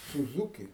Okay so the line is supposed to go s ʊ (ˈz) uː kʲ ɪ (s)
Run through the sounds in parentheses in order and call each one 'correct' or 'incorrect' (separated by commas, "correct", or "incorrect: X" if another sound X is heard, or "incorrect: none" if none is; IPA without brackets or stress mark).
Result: correct, incorrect: none